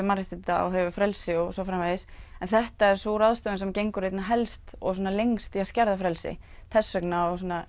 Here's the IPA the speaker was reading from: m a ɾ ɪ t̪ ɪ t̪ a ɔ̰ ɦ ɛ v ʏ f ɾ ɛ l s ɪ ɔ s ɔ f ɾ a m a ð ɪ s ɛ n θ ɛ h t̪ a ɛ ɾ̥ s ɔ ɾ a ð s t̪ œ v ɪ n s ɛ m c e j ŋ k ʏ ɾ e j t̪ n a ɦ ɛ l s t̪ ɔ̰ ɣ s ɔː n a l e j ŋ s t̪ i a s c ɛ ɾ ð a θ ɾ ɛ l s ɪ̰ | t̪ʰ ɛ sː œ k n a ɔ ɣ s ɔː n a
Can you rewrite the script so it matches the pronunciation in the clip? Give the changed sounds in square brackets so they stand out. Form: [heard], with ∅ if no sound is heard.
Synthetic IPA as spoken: m a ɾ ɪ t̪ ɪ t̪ a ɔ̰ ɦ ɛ v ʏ f ɾ ɛ l s ɪ ɔ s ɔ f ɾ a m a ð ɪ s ɛ n θ ɛ h t̪ a ɛ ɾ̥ s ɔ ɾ a ð s t̪ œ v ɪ n s ɛ m c e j ŋ k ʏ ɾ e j t̪ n a ɦ ɛ l s t̪ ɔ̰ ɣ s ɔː n a l e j ŋ s t̪ i a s c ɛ ɾ ð a [f] ɾ ɛ l s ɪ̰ | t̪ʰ ɛ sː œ k n a ɔ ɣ s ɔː n a

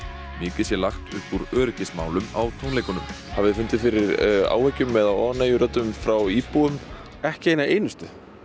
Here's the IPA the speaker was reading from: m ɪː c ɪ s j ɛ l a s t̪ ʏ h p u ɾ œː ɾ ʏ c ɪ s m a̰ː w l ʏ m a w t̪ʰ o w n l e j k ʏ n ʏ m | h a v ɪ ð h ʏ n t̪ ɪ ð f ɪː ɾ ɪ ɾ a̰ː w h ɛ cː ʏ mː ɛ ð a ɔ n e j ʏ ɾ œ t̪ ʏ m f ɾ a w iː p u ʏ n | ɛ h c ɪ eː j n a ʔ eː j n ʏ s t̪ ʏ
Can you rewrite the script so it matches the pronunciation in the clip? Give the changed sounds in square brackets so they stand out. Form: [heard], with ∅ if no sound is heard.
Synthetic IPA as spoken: m ɪː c ɪ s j ɛ l a [x] t̪ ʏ h p u ɾ œː ɾ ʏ c ɪ s m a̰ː w l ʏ m a w t̪ʰ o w n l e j k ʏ n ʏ m | h a v ɪ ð [f] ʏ n t̪ ɪ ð f [ɪ] ɾ ɪ ɾ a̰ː w h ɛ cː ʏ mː ɛ ð a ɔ n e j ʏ ɾ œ t̪ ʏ m f ɾ a w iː p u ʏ [m] | ɛ h c ɪ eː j n a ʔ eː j n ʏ s t̪ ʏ

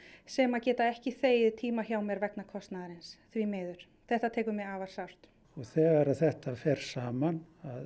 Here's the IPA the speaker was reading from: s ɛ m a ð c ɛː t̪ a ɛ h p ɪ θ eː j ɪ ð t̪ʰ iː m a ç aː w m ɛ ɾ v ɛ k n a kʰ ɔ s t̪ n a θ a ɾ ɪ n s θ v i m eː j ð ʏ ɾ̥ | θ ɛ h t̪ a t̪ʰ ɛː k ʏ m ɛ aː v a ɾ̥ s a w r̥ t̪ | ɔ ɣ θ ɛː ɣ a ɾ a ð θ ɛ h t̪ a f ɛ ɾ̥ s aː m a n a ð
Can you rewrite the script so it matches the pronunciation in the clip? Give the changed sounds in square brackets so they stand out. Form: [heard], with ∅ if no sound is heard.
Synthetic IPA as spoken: s ɛ m a ð c ɛː t̪ a ɛ h [c] ɪ θ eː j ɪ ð t̪ʰ iː m a ç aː w m ɛ ɾ v ɛ k n a kʰ ɔ s t̪ n a [ð] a ɾ ɪ n s θ v i m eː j ð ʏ ɾ̥ | θ ɛ h t̪ a t̪ʰ ɛː k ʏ m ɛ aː v a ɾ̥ s a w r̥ t̪ | ɔ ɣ θ ɛː ɣ a ɾ a ð θ ɛ h t̪ a f ɛ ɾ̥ s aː m a n a ð

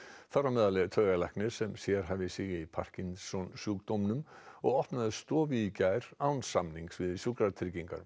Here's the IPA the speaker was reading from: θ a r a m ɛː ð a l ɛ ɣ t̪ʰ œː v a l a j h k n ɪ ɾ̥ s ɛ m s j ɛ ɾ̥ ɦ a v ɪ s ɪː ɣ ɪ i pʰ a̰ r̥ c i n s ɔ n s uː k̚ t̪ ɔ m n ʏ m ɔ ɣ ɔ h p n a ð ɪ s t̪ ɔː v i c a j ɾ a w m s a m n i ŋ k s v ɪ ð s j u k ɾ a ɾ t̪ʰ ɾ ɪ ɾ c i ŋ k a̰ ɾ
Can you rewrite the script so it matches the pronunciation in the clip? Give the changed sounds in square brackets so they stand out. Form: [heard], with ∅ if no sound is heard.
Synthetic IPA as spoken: θ a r a m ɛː ð a l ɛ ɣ t̪ʰ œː [ɣ] a l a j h k n ɪ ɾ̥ s ɛ m s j ɛ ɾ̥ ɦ a v ɪ s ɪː ɣ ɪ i pʰ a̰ r̥ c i n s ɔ n s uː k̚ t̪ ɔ m n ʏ m ɔ ɣ ɔ h p n a ð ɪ s t̪ ɔː v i c a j ɾ a w [n] s a m n i ŋ k s v ɪ ð s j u k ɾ a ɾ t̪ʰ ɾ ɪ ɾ c i ŋ k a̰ ɾ

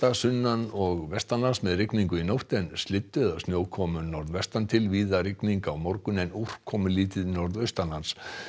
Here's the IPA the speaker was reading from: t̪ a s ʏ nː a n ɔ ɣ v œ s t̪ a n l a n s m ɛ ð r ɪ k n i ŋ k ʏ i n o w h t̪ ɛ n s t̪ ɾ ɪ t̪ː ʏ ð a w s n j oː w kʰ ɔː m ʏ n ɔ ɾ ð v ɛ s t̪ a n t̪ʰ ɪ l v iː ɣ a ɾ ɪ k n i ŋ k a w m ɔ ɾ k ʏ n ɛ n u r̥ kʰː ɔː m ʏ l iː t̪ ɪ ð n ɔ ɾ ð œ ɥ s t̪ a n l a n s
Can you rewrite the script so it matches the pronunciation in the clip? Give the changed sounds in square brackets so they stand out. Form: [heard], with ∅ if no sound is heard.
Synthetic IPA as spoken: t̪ a s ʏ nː a n ɔ ɣ v [ɛ] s t̪ a n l a n s m ɛ ð r ɪ k n i ŋ k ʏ i n o w h t̪ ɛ n s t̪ [l] ɪ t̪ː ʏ ð a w s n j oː w kʰ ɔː m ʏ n ɔ ɾ ð v ɛ s t̪ a n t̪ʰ ɪ l v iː [ð] a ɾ ɪ k n i ŋ k a w m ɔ ɾ k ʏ n ɛ n u r̥ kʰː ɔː m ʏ l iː t̪ ɪ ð n ɔ ɾ ð œ ɥ s t̪ a n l a n s

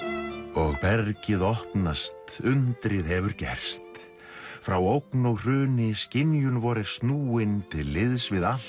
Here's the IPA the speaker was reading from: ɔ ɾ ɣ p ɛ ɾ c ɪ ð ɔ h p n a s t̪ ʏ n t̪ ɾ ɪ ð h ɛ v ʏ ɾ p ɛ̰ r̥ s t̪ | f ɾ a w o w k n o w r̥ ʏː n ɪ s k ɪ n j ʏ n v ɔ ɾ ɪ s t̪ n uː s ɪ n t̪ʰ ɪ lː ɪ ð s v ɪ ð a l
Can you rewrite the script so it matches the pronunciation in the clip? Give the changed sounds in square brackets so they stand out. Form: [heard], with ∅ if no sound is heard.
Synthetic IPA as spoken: ɔ [∅] ɣ p ɛ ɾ c ɪ ð ɔ h p n a s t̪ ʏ n t̪ ɾ ɪ ð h ɛ v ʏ ɾ [c] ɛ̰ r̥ s t̪ | f ɾ a w o w k n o w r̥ ʏː n ɪ s [c] ɪ n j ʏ n v ɔ ɾ ɪ s t̪ n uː [∅] ɪ n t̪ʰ ɪ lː ɪ ð s v ɪ ð a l

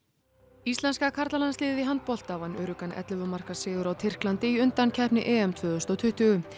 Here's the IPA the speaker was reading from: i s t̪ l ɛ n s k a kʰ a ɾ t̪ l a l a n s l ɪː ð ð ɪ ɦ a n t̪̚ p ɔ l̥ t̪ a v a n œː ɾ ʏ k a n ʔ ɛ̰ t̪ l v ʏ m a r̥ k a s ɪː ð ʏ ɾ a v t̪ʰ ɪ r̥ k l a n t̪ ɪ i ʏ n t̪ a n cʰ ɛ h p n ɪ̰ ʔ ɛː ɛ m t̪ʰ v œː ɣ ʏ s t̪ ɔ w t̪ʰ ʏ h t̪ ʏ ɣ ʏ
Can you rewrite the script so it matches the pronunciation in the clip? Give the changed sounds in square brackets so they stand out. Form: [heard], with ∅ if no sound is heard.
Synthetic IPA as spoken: i s t̪ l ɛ n s k a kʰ a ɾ t̪ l a l a n s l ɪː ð ð ɪ ɦ a n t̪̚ p ɔ l̥ t̪ a v a n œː ɾ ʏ k a n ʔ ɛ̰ t̪ l v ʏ m a r̥ k a s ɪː ð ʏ ɾ a [w] t̪ʰ ɪ r̥ k l a n t̪ ɪ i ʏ n t̪ a n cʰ ɛ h p n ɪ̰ ʔ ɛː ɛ m t̪ʰ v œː [ð] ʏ s t̪ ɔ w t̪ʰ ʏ h t̪ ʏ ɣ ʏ

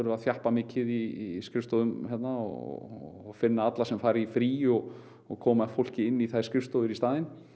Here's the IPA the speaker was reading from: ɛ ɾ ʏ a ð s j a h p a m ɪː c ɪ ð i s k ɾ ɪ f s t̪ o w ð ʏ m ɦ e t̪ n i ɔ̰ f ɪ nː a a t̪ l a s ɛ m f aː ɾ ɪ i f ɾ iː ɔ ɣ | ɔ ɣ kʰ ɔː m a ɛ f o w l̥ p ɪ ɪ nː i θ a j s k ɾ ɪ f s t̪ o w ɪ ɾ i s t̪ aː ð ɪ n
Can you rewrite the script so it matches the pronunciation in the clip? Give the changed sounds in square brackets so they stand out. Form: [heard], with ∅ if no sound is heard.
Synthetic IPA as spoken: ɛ ɾ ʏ a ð [θ] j a h p a m ɪː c ɪ ð i s k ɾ ɪ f s t̪ o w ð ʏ m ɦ [ɛ] t̪ n [a] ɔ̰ f ɪ nː a a t̪ l a s ɛ m f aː ɾ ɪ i f ɾ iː ɔ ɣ | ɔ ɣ kʰ ɔː m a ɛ f o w l̥ [c] ɪ ɪ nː i θ a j s k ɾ ɪ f s t̪ o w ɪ ɾ i s t̪ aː ð ɪ n

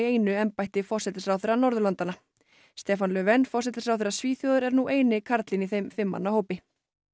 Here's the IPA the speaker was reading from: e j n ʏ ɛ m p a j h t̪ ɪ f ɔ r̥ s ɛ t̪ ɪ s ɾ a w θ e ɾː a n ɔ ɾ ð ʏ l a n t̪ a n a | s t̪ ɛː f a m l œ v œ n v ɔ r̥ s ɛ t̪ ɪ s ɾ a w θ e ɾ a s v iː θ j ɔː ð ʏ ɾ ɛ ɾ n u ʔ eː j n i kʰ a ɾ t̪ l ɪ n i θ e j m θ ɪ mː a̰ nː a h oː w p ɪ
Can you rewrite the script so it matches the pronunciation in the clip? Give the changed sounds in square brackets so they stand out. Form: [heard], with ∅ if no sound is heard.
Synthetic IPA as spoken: e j n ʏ ɛ m p a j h t̪ ɪ f ɔ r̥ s ɛ t̪ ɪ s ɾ a w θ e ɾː a n ɔ ɾ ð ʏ l a n t̪ a n a | s t̪ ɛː f a [n] l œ v [ɛ] n [f] ɔ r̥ s ɛ t̪ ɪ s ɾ a w θ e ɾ a s v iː θ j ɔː ð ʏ ɾ ɛ ɾ n u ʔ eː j n [ɪ] kʰ a ɾ t̪ l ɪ n i θ e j m [f] ɪ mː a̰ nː a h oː w p ɪ

